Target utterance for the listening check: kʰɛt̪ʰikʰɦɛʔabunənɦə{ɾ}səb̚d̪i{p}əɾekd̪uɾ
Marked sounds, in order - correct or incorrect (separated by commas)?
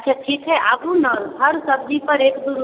correct, correct